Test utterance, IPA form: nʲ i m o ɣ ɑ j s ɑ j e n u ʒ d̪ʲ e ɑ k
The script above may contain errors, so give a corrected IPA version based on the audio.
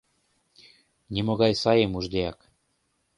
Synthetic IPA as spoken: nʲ i m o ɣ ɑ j s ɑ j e m u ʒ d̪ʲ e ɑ k

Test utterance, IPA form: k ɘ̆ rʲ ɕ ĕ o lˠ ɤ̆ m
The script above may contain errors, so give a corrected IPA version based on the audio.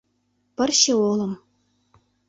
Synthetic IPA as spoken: p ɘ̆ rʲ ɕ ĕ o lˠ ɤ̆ m

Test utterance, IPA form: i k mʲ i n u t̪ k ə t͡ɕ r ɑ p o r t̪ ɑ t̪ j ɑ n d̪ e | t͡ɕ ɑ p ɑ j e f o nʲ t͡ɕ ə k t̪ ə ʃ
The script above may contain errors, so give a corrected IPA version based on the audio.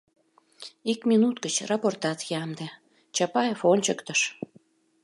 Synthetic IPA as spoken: i k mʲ i n u t̪ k ə t͡ɕ r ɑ p o r t̪ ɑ t̪ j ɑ m d̪ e | t͡ɕ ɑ p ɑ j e f o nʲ t͡ɕ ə k t̪ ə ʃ

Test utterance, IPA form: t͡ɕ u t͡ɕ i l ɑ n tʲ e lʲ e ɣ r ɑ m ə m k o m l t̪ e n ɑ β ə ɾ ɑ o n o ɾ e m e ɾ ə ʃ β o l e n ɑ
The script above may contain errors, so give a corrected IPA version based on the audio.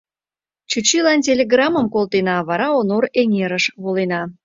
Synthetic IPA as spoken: t͡ɕ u t͡ɕ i l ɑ n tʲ e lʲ e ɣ r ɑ m ə m k o l t̪ e n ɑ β ɑ ɾ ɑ o n o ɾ e ŋ e ɾ ə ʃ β o l e n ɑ

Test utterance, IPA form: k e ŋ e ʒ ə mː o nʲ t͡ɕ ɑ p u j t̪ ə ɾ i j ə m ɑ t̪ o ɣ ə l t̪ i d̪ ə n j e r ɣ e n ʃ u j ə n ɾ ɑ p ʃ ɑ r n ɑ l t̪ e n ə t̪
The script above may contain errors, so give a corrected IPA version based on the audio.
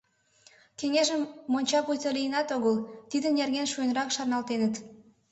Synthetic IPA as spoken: k e ŋ e ʒ ə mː o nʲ t͡ɕ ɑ p u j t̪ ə l i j ə n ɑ t̪ o ɣ ə l t̪ i d̪ ə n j e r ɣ e n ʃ u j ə n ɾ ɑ k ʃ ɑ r n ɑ l t̪ e n ə t̪

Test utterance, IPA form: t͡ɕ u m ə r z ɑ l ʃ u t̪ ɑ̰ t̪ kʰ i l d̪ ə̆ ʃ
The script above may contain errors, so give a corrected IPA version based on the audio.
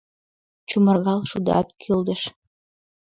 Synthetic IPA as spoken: t͡ɕ u m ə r ɣ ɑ l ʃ u d̪ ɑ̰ t̪ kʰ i l d̪ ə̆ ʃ

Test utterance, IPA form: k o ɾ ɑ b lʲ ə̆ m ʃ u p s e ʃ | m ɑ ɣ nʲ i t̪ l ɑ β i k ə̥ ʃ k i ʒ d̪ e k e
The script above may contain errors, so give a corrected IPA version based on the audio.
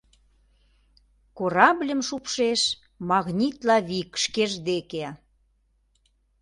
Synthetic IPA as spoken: k o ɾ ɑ b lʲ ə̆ m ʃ u p ʃ e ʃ | m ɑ ɣ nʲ i t̪ l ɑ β i k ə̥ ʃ k e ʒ d̪ e k e

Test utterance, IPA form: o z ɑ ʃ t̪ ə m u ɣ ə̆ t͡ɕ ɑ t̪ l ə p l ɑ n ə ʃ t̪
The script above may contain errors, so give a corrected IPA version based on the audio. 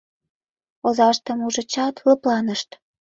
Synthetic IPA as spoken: o z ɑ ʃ t̪ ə m u ʒ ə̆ t͡ɕ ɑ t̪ l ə p l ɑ n ə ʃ t̪

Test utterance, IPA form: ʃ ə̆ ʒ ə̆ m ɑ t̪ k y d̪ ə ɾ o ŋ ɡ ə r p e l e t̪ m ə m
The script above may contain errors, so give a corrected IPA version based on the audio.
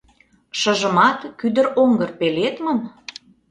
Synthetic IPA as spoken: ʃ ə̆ ʒ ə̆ m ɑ t̪ k y d̪ ə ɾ o ŋ ɡ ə r p e l e t̪ m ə m

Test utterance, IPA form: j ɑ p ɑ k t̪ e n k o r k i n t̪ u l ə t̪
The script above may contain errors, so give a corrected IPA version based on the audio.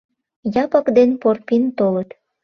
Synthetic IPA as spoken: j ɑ p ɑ k d̪ e n p o r p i n t̪ o l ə t̪

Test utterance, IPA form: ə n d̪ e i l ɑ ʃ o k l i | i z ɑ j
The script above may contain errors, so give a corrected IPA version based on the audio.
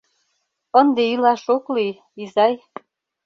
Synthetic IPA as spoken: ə n d̪ e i l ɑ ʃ o k l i | i z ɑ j

